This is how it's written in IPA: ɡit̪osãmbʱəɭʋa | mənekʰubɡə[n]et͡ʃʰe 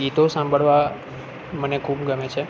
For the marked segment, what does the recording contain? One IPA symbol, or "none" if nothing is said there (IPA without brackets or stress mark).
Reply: m